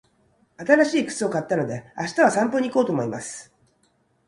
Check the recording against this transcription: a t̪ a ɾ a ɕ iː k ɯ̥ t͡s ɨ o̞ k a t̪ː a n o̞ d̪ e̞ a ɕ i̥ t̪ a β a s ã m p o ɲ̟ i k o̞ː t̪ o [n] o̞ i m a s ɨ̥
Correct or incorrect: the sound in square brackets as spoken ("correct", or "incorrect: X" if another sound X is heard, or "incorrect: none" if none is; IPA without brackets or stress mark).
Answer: incorrect: m